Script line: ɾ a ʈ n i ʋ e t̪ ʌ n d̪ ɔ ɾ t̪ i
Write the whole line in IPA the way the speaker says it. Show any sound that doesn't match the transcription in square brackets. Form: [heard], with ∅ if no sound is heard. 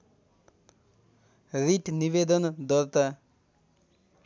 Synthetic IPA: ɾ [i] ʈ n i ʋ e [d̪] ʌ n d̪ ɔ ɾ t̪ [a]

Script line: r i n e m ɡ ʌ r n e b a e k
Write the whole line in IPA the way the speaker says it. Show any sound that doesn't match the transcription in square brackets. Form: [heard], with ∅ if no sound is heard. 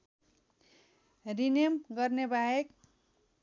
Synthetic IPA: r i n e m ɡ ʌ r n e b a e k

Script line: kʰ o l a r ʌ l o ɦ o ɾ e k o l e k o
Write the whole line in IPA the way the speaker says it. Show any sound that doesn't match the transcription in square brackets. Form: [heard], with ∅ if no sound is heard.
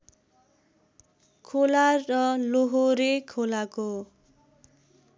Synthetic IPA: kʰ o l a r ʌ l o ɦ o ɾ e [kʰ] o l [a] k o

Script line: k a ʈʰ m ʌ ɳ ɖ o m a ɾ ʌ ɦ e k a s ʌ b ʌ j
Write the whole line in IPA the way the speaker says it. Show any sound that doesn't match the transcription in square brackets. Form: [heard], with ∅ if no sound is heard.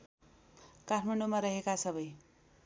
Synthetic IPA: k a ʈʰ m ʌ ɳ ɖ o m a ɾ ʌ ɦ e k a s ʌ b ʌ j

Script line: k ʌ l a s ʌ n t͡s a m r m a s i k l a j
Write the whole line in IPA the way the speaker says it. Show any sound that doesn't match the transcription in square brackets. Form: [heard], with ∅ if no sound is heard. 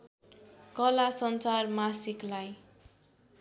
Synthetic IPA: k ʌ l a s ʌ n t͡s a [∅] r m a s i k l a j

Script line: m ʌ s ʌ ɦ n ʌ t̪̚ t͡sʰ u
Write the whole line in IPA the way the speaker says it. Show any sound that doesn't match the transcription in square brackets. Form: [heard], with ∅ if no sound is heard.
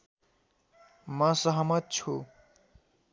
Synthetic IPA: m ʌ s ʌ ɦ [m] ʌ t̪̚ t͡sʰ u

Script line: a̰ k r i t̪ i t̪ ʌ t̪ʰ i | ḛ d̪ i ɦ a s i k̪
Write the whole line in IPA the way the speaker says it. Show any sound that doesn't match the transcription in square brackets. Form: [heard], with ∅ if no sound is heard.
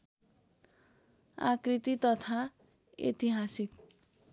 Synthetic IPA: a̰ k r i t̪ i t̪ ʌ t̪ʰ [a] | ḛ [t̪] i ɦ a s i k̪

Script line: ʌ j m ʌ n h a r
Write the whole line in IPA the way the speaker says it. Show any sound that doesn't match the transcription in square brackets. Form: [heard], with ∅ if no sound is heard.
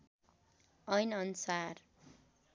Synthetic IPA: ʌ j [n] ʌ n [s] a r

